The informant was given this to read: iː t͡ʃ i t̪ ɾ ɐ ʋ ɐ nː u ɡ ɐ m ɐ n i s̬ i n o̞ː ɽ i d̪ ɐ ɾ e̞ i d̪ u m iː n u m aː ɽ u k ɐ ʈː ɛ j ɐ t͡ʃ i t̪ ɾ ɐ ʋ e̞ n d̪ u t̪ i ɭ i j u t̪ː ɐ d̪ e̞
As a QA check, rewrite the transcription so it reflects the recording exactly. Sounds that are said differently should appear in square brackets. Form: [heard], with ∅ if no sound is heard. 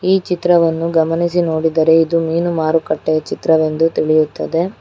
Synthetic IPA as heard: iː t͡ʃ i t̪ ɾ ɐ ʋ ɐ nː u ɡ ɐ m ɐ n i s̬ i n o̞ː ɽ i d̪ ɐ ɾ e̞ i d̪ u m iː n u m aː [ɾ] u k ɐ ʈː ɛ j ɐ t͡ʃ i t̪ ɾ ɐ ʋ e̞ n d̪ u t̪ i ɭ i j u t̪ː ɐ d̪ e̞

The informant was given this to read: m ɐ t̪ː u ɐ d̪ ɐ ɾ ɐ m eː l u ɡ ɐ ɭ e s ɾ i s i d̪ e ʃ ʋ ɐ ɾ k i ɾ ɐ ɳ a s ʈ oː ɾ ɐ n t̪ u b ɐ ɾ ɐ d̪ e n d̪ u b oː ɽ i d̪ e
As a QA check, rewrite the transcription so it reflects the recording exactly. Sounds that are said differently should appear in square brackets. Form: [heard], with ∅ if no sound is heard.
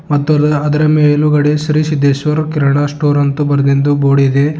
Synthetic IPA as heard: m ɐ t̪ː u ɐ d̪ ɐ ɾ ɐ m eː l u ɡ ɐ [ɽ] e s ɾ i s i d̪ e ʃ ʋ ɐ ɾ k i ɾ ɐ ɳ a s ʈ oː ɾ ɐ n t̪ u b ɐ ɾ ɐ d̪ e n d̪ u b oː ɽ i d̪ e

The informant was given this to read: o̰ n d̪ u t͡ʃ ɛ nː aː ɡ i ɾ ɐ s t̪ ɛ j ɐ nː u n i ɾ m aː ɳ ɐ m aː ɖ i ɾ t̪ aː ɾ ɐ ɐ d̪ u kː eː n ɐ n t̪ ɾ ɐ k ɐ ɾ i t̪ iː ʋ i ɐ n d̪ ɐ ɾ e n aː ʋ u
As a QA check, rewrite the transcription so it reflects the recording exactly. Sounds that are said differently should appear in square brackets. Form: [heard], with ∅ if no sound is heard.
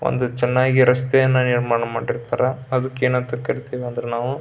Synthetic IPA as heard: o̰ n d̪ u t͡ʃ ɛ nː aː ɡ i ɾ ɐ s t̪ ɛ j ɐ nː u n i ɾ m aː ɳ ɐ m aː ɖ i ɾ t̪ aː ɾ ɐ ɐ d̪ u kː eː n ɐ n t̪ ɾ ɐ k ɐ ɾ i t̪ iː ʋ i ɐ n d̪ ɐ ɾ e n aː ʋ u

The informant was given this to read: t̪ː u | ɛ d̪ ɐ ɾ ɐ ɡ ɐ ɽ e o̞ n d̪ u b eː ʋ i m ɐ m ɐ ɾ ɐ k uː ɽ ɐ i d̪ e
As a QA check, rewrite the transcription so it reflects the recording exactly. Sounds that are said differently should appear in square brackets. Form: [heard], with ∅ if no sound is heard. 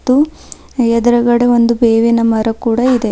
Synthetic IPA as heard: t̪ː u | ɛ d̪ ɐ ɾ ɐ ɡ ɐ ɽ e o̞ n d̪ u b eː ʋ i [n] ɐ m ɐ ɾ ɐ k uː ɽ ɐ i d̪ e

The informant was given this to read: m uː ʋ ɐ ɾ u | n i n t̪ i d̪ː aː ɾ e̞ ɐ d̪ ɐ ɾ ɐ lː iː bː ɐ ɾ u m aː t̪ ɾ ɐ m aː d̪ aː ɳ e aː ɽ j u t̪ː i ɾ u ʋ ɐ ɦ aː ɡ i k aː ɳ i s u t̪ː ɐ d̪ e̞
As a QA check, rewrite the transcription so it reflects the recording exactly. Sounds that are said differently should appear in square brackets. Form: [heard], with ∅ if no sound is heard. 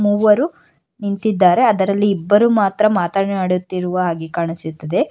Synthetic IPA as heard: m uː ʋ ɐ ɾ u | n i n t̪ i d̪ː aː ɾ e̞ ɐ d̪ ɐ ɾ ɐ lː iː bː ɐ ɾ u m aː t̪ ɾ ɐ m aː [t̪] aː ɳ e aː ɽ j u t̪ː i ɾ u ʋ ɐ ɦ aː ɡ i k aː ɳ i s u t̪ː ɐ d̪ e̞

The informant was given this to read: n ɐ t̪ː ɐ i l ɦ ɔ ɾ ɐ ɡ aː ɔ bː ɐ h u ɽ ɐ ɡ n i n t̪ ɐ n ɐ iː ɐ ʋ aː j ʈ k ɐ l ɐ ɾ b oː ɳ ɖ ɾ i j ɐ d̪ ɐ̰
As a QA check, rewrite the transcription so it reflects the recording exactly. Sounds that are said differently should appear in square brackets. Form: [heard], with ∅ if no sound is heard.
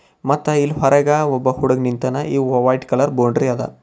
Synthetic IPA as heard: [m] ɐ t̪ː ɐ i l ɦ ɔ ɾ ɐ ɡ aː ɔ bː ɐ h u ɽ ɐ ɡ n i n t̪ ɐ n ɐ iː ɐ ʋ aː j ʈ k ɐ l ɐ ɾ b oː ɳ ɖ ɾ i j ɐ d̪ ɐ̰

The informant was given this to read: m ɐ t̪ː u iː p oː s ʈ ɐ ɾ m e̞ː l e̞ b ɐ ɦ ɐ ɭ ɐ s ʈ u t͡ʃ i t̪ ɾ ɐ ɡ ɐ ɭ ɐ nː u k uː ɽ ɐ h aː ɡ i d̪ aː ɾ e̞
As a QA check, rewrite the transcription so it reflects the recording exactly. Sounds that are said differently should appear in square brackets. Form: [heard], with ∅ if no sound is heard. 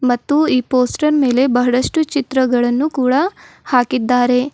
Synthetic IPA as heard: m ɐ t̪ː u iː p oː s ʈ ɐ ɾ m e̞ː l e̞ b ɐ ɦ ɐ [ɽ] ɐ [ʂ] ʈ u t͡ʃ i t̪ ɾ ɐ ɡ ɐ ɭ ɐ nː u k uː ɽ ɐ h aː [k] i [d̪ː] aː ɾ e̞

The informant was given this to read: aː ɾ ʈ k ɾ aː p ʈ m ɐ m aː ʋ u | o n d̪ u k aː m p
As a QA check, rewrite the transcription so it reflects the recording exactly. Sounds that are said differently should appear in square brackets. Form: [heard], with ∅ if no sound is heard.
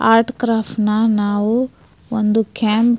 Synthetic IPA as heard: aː ɾ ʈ k ɾ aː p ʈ [n] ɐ [n] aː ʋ u | o n d̪ u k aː m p

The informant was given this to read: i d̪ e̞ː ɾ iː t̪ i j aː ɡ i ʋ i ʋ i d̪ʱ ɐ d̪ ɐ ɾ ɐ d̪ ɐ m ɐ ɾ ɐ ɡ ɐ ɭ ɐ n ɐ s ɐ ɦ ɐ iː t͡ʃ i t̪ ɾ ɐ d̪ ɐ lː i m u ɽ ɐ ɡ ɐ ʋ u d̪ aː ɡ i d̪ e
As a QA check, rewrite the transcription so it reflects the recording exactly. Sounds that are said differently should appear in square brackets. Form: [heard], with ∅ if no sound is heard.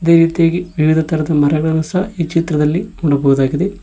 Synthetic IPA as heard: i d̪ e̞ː ɾ iː t̪ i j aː ɡ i ʋ i ʋ i d̪ʱ ɐ [t̪] ɐ ɾ ɐ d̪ ɐ m ɐ ɾ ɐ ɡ ɐ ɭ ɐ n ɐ s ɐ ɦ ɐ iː t͡ʃ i t̪ ɾ ɐ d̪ ɐ lː i m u ɽ ɐ [b] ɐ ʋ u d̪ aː ɡ i d̪ e

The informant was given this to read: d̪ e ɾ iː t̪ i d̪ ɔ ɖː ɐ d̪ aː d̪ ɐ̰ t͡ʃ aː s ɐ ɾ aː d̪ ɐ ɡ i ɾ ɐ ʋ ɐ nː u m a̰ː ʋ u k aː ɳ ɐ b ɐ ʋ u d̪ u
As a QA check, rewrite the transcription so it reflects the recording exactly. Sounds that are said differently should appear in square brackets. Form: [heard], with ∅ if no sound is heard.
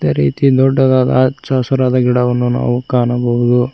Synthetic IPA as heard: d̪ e ɾ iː t̪ i d̪ ɔ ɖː ɐ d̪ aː d̪ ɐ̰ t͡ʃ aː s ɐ ɾ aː d̪ ɐ ɡ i [ɽ] ɐ ʋ ɐ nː u [n] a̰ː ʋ u k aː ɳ ɐ b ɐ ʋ u d̪ u

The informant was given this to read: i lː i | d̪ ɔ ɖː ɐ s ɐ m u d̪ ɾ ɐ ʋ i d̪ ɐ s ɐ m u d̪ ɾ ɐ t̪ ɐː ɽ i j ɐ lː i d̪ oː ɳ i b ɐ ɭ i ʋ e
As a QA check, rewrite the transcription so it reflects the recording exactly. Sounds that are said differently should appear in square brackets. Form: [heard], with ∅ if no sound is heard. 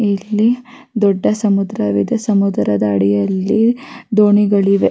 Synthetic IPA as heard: i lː i | d̪ ɔ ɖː ɐ s ɐ m u d̪ ɾ ɐ ʋ i d̪ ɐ s ɐ m u d̪ ɾ ɐ [d̪] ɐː ɽ i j ɐ lː i d̪ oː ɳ i [ɡ] ɐ ɭ i ʋ e

